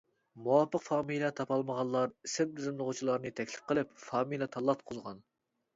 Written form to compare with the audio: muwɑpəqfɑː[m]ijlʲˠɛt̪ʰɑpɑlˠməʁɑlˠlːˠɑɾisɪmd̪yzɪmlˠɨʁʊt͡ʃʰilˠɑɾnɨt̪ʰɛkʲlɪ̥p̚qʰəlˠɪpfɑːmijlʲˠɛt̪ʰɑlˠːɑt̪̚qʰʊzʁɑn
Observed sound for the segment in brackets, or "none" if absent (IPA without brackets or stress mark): m